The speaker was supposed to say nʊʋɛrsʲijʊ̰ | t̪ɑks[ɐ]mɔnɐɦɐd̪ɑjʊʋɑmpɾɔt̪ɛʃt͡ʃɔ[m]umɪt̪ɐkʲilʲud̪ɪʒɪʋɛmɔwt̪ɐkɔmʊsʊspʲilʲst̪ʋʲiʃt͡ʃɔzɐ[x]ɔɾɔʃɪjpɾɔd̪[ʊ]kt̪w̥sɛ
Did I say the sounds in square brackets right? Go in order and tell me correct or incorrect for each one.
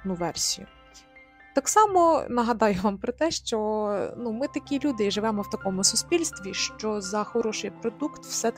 incorrect, incorrect, correct, incorrect

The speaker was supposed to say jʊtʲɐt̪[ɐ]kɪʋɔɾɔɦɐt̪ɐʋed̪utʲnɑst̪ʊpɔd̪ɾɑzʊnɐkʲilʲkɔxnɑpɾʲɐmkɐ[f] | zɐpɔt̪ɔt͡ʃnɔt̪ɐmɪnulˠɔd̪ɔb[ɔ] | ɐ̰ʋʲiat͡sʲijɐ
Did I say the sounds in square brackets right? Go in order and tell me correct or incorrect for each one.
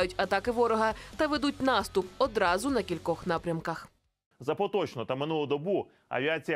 incorrect, incorrect, incorrect

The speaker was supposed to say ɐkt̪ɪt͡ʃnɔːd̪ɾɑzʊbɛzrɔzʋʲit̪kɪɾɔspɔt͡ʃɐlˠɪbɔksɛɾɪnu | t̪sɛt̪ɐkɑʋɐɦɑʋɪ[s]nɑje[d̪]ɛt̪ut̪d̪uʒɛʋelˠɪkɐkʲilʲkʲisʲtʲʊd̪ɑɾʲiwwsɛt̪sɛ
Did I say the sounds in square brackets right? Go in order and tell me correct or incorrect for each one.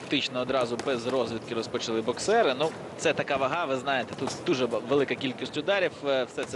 incorrect, incorrect

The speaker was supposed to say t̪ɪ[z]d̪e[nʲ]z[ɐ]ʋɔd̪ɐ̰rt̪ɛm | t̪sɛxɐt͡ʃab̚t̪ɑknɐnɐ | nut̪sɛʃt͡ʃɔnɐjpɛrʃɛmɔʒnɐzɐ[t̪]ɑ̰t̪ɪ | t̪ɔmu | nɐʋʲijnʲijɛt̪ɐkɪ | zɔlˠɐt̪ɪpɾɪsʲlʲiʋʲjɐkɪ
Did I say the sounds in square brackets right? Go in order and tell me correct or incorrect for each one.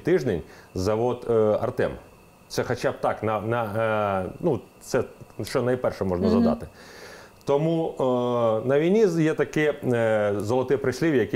incorrect, correct, correct, incorrect

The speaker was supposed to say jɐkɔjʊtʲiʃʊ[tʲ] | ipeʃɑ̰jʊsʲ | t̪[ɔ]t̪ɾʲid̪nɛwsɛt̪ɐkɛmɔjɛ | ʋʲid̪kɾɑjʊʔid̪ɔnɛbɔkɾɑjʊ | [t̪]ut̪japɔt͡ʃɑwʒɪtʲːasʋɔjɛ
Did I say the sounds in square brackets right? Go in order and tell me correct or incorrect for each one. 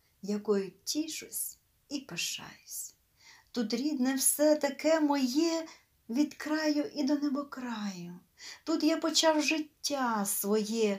incorrect, incorrect, correct

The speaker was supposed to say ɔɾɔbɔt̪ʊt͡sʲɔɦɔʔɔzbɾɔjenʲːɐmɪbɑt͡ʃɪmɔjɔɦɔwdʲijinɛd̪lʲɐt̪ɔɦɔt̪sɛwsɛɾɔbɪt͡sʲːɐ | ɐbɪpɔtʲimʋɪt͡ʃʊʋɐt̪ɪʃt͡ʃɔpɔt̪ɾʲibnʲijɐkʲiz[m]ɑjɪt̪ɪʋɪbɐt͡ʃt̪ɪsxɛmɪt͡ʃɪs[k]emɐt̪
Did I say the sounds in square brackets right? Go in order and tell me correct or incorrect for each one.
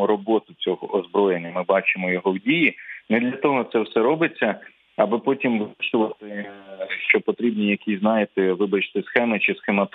incorrect, incorrect

